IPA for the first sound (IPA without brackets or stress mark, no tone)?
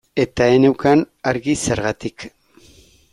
e̞